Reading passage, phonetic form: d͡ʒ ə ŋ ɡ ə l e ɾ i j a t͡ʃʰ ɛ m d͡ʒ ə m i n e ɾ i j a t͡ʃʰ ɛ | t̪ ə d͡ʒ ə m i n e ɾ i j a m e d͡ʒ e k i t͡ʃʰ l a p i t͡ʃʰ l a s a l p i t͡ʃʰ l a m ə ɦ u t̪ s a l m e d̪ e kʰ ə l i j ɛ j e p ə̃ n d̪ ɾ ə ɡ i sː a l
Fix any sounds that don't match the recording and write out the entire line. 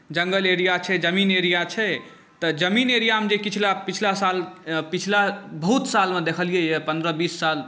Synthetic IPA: d͡ʒ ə ŋ ɡ ə l e ɾ i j a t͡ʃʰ ɛ d͡ʒ ə m i n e ɾ i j a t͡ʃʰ ɛ | t̪ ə d͡ʒ ə m i n e ɾ i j a m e d͡ʒ e k i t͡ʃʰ l a p i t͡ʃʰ l a s a l p i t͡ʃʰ l a b ə ɦ u t̪ s a l m e d̪ e kʰ ə l i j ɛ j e p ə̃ n d̪ ɾ ə b i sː a l

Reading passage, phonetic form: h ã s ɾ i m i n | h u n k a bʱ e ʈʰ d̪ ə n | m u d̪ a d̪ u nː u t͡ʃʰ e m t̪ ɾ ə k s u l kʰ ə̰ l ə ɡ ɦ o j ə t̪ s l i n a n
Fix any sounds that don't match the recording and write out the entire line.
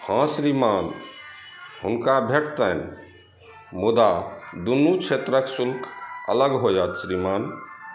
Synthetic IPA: h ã s ɾ i m a n | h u n k a bʱ e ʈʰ t̪ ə n | m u d̪ a d̪ u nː u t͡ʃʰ e t̪ ɾ ə k s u l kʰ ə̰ l ə ɡ ɦ o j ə t̪ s ɾ i m a n

